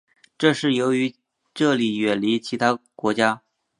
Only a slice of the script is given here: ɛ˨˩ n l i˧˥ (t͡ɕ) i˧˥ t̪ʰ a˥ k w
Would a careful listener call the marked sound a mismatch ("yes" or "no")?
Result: yes